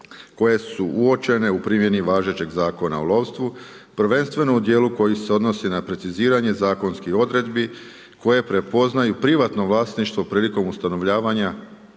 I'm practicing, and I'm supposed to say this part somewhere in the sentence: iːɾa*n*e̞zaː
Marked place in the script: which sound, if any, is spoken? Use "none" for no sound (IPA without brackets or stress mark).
ɲ